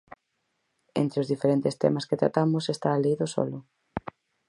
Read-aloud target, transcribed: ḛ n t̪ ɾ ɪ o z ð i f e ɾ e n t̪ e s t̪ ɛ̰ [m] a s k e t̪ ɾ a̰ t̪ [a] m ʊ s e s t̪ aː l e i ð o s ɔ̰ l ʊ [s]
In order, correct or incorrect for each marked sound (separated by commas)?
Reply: correct, correct, incorrect